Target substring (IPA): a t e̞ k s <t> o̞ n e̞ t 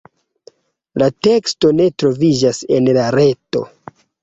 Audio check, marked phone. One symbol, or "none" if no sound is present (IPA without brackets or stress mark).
t